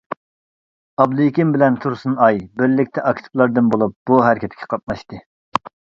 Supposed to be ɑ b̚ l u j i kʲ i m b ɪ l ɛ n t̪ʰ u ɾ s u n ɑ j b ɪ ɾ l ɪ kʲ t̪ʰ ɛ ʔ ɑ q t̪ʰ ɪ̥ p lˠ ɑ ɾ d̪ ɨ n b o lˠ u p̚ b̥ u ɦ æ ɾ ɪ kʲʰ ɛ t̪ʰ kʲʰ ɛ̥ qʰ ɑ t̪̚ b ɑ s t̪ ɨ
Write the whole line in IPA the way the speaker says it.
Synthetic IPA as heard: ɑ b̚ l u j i kʲ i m b ɪ l ɛ n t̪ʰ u ɾ s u n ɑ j b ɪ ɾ l ɪ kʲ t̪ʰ ɛ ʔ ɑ k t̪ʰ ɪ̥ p lˠ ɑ ɾ d̪ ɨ n b o lˠ u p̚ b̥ u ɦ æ ɾ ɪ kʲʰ ɛ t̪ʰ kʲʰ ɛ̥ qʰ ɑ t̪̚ m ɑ ʃ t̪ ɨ

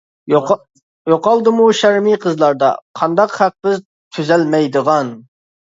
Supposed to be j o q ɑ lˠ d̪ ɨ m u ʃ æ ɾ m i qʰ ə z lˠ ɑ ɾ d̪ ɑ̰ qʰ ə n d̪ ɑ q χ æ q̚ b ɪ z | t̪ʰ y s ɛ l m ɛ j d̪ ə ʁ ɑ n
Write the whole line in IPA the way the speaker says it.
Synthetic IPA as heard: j o q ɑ lˠ d̪ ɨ m u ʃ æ ɾ m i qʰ ə z lˠ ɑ ɾ d̪ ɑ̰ qʰ ɑ n d̪ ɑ q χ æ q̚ b ɪ z | t̪ʰ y z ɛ l m ɛ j d̪ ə ʁ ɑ n

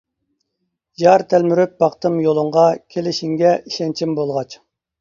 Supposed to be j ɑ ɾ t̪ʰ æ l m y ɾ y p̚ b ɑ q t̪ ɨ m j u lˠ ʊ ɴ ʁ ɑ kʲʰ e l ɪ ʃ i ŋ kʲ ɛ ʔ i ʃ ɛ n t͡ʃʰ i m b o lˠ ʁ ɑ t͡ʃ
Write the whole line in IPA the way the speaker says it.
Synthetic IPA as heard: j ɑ ɾ t̪ʰ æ l m y ɾ y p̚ b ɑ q t̪ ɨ m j o lˠ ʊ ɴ ʁ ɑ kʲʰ e l ɪ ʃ i ŋ ɡʲ ɛ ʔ i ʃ ɛ n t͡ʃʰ i m b o lˠ ʁ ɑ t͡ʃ

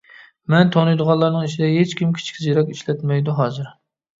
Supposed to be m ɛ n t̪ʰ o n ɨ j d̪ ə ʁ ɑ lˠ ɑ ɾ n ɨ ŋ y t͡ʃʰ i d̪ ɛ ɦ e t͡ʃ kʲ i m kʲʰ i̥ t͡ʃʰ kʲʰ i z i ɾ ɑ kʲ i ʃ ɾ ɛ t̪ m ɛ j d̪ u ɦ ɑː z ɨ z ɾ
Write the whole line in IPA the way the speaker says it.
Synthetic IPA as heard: m ɛ n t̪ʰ o n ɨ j d̪ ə ʁ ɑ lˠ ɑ ɾ n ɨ ŋ i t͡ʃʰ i d̪ ɛ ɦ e t͡ʃ kʲ i m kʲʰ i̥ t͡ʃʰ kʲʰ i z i ɾ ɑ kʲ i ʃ l ɛ t̪ m ɛ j d̪ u ɦ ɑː z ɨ ɾ

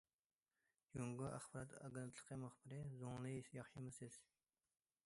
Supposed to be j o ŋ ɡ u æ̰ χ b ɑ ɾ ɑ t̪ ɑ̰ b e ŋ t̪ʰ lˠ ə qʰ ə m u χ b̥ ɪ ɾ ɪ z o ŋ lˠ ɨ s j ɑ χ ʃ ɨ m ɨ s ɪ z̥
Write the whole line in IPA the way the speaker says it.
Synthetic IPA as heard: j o ŋ ɡ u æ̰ χ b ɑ ɾ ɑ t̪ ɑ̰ ɡ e n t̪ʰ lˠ ə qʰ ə m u χ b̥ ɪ ɾ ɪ z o ŋ lˠ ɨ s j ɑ χ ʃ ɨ m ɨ s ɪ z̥

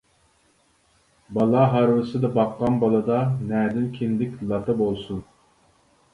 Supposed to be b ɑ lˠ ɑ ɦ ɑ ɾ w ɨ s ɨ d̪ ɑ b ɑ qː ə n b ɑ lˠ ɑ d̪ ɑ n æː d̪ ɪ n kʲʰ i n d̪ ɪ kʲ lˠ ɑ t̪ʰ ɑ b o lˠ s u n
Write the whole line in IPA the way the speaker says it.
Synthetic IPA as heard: b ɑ lˠ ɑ ɦ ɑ ɾ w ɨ s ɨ d̪ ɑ b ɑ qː ɑ n b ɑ lˠ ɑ d̪ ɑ n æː d̪ ɪ n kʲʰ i n d̪ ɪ kʲ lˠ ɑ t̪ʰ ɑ b o lˠ s u n

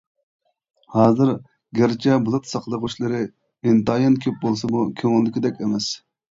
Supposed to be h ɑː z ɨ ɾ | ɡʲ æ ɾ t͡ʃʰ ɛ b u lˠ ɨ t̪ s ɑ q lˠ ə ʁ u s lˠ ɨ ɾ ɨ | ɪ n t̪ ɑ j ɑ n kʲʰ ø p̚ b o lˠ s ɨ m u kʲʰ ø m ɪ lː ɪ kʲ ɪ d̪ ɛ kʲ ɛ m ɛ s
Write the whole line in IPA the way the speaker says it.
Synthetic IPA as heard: h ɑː z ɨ ɾ | ɡʲ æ ɾ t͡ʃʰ ɛ b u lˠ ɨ t̪ s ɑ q lˠ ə ʁ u ʃ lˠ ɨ ɾ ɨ | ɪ n t̪ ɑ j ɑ n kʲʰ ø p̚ b o lˠ s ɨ m u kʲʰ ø ŋ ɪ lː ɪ kʲ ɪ d̪ ɛ kʲ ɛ m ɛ s

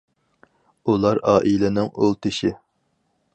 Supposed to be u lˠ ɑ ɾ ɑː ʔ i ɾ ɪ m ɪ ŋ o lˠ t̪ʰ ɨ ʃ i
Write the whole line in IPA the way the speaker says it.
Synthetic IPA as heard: u lˠ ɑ ɾ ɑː ʔ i l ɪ n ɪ ŋ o lˠ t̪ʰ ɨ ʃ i

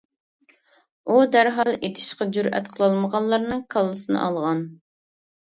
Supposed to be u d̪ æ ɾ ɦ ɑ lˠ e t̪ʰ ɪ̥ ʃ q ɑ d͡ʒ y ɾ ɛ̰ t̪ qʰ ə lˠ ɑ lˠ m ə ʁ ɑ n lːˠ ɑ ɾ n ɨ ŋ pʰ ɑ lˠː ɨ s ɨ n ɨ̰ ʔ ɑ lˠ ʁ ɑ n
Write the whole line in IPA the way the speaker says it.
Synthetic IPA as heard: u d̪ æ ɾ ɦ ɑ lˠ e t̪ʰ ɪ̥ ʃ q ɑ d͡ʒ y ɾ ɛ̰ t̪ qʰ ə lˠ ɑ lˠ m ə ʁ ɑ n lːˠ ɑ ɾ n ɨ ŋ kʰ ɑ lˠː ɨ s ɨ n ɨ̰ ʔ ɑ lˠ ʁ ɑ n

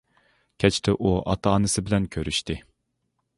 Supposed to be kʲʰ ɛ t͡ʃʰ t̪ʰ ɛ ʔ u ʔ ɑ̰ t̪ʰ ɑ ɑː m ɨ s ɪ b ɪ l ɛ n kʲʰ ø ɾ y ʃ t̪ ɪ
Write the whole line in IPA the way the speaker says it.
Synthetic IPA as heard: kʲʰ ɛ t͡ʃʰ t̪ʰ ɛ ʔ u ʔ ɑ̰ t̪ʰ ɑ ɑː n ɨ s ɪ b ɪ l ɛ n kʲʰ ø ɾ y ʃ t̪ ɪ

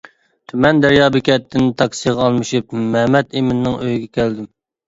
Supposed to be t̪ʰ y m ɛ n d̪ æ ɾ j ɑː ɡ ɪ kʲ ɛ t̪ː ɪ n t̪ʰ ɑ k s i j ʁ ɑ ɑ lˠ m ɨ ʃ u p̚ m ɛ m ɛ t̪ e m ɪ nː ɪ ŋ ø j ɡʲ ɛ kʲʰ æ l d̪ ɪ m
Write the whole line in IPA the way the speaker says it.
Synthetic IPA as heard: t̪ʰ y m ɛ n d̪ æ ɾ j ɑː b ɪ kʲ ɛ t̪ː ɪ n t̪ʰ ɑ k s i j ʁ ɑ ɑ lˠ m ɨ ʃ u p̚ m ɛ m ɛ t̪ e m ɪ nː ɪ ŋ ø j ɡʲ ɛ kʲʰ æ l d̪ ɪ m

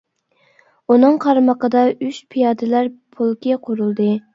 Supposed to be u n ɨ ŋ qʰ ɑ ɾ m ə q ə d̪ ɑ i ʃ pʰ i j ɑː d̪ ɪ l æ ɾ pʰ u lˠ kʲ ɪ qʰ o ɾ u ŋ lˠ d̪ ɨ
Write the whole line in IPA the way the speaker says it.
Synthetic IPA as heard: u n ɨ ŋ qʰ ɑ ɾ m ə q ə d̪ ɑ y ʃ pʰ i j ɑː d̪ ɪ l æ ɾ pʰ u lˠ kʲ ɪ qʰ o ɾ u lˠ d̪ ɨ

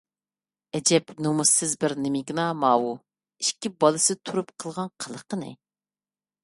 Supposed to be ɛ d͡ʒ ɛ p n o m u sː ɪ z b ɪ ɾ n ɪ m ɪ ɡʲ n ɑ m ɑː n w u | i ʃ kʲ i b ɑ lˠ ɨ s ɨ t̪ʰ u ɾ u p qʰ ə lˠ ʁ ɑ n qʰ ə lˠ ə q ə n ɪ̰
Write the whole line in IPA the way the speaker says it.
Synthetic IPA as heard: ɛ d͡ʒ ɛ p n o m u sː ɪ z b ɪ ɾ n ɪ m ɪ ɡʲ n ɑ m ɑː w u | i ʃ kʲ i b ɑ lˠ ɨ s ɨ t̪ʰ u ɾ u p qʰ ə lˠ ʁ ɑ n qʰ ə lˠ ə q ə n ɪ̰

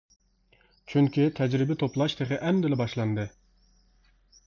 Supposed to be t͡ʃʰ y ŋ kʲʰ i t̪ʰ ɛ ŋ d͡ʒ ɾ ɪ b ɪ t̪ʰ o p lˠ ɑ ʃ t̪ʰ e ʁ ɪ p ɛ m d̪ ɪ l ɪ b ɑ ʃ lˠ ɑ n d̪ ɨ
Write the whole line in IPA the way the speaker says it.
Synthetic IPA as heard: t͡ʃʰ y ŋ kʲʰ i t̪ʰ ɛ d͡ʒ ɾ ɪ b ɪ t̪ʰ o p lˠ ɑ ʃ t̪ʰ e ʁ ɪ ʔ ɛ m d̪ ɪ l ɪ b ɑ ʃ lˠ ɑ n d̪ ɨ

